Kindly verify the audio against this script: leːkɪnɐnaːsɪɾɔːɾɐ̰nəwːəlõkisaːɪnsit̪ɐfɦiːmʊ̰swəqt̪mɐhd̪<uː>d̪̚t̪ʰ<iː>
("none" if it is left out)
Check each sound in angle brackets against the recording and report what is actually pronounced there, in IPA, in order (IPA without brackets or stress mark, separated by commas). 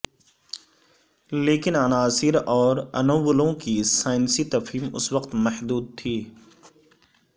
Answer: uː, iː